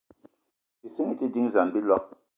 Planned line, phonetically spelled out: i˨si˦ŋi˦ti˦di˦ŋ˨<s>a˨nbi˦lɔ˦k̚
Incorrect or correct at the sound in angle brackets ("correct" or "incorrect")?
incorrect